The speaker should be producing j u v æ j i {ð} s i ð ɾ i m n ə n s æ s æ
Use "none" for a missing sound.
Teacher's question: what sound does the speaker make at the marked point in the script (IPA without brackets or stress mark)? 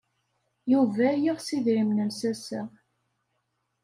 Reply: ʁ